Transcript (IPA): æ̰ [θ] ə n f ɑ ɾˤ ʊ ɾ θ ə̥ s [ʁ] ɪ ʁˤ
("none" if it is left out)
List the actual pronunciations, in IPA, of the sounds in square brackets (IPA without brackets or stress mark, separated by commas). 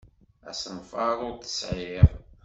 s, ʕ